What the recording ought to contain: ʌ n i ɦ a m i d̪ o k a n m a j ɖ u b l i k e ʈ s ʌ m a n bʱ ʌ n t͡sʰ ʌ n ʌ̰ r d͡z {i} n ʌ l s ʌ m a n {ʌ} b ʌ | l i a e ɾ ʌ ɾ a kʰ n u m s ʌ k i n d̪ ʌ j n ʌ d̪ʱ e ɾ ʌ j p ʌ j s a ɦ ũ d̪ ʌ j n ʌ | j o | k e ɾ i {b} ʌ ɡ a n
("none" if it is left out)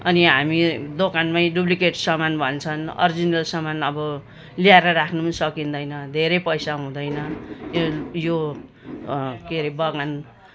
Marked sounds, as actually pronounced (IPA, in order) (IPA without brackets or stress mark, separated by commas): i, ʌ, b